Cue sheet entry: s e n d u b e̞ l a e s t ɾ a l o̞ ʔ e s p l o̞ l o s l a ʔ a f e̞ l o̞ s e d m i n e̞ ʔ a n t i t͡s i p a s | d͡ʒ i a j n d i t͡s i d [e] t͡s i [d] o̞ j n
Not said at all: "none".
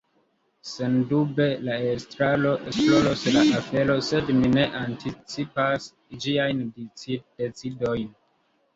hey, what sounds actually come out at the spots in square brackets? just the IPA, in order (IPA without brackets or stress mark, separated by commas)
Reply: e, d